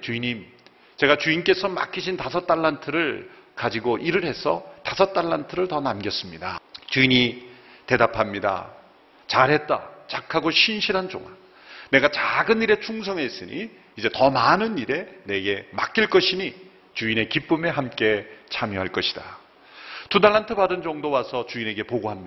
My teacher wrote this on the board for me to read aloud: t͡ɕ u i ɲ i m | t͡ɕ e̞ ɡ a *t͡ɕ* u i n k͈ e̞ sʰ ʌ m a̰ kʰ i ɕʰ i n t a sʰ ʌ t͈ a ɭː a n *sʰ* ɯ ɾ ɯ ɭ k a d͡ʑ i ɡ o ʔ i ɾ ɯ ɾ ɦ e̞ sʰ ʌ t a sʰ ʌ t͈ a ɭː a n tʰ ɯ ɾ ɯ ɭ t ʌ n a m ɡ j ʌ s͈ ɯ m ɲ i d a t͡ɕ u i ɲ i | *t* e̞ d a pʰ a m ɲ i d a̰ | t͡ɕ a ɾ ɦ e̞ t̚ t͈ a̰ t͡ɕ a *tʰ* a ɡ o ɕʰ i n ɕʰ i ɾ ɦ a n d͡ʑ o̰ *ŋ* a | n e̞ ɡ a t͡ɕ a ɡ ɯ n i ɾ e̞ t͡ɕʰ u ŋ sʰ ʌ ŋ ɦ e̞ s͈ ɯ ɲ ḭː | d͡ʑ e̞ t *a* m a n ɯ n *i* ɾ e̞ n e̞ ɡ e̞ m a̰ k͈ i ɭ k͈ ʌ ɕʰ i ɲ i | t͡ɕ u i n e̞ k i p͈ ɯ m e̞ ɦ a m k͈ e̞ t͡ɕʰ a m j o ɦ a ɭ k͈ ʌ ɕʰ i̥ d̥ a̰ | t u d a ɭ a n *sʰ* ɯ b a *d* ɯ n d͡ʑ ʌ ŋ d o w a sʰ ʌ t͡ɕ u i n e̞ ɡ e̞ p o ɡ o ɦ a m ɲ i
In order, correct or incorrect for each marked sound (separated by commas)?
correct, incorrect, correct, incorrect, correct, incorrect, correct, incorrect, correct